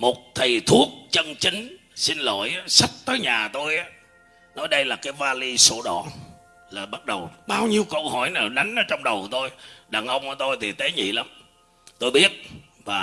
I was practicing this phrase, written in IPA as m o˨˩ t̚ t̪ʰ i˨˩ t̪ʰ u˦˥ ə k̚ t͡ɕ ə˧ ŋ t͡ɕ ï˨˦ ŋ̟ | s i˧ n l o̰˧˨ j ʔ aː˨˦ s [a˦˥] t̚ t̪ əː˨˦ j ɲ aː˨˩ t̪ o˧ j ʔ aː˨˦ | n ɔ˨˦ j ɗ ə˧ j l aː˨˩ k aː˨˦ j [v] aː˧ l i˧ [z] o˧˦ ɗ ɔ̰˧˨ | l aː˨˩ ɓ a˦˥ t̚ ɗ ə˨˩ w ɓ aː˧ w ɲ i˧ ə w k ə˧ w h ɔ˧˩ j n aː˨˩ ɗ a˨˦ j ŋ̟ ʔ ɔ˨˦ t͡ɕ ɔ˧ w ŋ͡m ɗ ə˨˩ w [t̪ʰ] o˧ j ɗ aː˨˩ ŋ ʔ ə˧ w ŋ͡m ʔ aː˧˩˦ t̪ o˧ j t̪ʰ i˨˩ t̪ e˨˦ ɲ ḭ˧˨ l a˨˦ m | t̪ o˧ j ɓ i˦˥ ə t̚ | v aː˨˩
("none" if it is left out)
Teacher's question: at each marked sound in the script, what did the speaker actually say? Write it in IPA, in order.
a˦˥, v, s, t̪

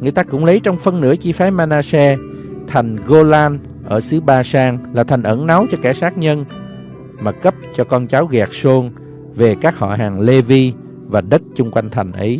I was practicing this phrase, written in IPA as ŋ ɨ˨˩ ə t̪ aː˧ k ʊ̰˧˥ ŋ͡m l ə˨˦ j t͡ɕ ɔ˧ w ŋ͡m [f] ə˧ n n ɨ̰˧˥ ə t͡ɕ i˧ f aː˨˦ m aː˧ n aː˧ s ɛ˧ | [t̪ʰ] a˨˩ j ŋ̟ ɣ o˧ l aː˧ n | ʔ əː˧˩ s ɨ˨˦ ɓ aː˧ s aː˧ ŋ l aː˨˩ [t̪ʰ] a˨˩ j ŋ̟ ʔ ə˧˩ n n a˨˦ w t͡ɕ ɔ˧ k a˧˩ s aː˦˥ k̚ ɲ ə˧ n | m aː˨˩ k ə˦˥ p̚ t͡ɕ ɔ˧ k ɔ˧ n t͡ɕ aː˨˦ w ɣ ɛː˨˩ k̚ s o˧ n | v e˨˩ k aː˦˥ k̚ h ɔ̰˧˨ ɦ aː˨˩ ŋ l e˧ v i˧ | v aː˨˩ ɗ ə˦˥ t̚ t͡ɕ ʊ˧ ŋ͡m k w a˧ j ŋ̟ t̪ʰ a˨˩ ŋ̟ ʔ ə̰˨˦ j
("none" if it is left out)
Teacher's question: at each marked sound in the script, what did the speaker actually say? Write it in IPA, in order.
f, t̪ʰ, t̪ʰ

